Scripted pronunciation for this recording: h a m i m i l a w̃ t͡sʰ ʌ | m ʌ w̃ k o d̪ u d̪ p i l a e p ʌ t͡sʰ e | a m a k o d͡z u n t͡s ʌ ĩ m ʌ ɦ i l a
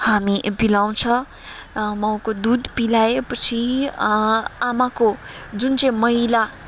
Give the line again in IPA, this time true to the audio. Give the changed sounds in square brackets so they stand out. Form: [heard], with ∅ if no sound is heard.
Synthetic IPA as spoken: h a m i [b] i l a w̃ t͡sʰ ʌ | m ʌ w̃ k o d̪ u d̪ p i l a e p ʌ t͡sʰ [i] | a m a k o d͡z u n t͡s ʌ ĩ m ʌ ɦ i l a